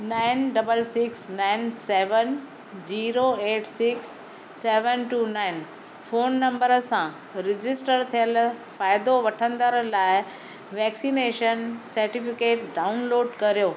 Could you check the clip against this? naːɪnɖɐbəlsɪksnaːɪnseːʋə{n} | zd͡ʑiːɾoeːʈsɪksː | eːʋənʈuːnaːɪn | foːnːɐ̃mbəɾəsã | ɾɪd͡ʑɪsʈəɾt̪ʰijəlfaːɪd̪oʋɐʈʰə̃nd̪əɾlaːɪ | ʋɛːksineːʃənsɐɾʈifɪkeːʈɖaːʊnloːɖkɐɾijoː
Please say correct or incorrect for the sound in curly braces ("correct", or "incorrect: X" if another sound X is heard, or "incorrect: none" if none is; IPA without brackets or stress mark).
correct